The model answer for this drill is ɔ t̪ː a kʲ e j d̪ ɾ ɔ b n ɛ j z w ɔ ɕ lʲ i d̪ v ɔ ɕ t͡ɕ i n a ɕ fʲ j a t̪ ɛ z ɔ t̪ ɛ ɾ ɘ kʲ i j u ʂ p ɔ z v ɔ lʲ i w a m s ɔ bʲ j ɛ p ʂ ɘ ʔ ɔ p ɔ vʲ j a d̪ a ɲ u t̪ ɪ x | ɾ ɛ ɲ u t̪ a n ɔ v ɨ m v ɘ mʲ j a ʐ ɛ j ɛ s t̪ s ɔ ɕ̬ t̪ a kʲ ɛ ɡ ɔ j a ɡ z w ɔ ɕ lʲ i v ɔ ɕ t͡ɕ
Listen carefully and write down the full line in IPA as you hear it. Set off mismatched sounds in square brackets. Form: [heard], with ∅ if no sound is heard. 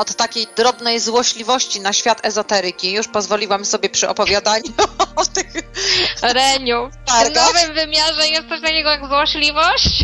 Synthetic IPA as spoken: ɔ t̪ː a kʲ e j d̪ ɾ ɔ b n ɛ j z w ɔ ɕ lʲ i [∅] v ɔ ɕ t͡ɕ i n a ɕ fʲ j a t̪ ɛ z ɔ t̪ ɛ ɾ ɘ kʲ i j u ʂ p ɔ z v ɔ lʲ i w a m s ɔ bʲ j ɛ p ʂ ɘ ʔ ɔ p ɔ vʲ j a d̪ a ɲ u t̪ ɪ x | ɾ ɛ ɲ u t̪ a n ɔ v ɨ m v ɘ mʲ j a ʐ ɛ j ɛ s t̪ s ɔ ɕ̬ t̪ a kʲ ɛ ɡ ɔ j a ɡ z w ɔ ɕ lʲ i v ɔ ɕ t͡ɕ